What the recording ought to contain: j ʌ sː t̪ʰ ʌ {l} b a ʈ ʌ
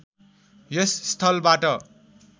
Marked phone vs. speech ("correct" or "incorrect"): correct